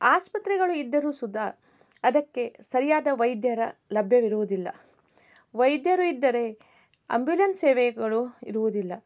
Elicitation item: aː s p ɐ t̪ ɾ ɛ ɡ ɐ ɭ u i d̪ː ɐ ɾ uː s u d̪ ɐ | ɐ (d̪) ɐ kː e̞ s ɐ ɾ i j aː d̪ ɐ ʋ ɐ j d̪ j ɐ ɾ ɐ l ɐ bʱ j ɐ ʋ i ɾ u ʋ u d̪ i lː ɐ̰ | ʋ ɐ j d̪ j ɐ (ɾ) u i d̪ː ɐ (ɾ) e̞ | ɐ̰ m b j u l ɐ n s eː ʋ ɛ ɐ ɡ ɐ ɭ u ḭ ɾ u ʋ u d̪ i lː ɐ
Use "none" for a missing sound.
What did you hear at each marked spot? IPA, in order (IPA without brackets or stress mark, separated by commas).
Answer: d̪, ɾ, ɾ